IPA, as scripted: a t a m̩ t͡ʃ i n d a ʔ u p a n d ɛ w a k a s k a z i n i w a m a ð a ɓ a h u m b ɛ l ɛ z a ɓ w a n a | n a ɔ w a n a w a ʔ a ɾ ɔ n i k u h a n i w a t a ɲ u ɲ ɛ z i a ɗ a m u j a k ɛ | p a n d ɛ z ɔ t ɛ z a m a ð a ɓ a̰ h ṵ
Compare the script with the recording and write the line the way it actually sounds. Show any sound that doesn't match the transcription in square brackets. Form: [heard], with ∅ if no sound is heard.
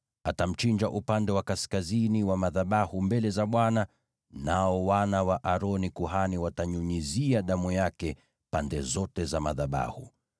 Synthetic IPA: a t a m̩ t͡ʃ i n [d͡ʒ] a ʔ u p a n d ɛ w a k a s k a z i n i w a m a ð a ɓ a h u m b ɛ l ɛ z a ɓ w a n a | n a ɔ w a n a w a ʔ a ɾ ɔ n i k u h a n i w a t a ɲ u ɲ [i] z i a ɗ a m u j a k ɛ | p a n d ɛ z ɔ t ɛ z a m a ð a ɓ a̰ h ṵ